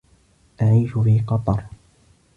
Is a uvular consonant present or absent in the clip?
present